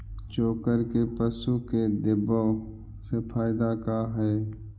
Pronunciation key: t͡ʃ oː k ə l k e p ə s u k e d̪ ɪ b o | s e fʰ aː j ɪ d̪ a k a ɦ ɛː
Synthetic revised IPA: t͡ʃ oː k ə ɾ k e p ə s u k e d̪ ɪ b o | s e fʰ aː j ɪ d̪ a k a ɦ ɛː